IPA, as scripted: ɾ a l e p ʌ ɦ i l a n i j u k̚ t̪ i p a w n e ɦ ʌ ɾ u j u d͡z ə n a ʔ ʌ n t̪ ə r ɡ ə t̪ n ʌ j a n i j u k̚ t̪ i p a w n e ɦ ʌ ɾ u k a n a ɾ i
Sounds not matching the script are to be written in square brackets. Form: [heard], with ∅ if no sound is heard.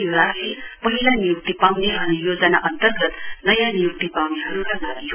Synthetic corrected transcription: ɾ a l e p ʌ ɦ i l a n i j u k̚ t̪ i p a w n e ɦ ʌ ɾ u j [o] d͡z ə n a ʔ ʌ n t̪ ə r ɡ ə t̪ n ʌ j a n i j u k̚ t̪ i p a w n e ɦ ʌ ɾ u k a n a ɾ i